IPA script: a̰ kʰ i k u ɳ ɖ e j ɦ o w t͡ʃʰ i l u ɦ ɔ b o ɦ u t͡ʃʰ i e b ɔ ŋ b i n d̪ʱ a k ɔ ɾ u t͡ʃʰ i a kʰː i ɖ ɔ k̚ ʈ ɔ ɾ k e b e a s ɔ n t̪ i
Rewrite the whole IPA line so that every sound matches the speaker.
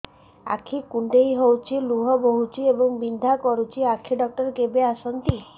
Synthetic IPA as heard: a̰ kʰ i k u ɳ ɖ e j ɦ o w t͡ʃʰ i l u ɦ ɔ b o ɦ u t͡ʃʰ i e b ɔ ŋ b i n d̪ʱ a k ɔ ɾ u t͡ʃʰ i a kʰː i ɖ ɔ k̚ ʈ ɔ ɾ k e b e a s ɔ n t̪ i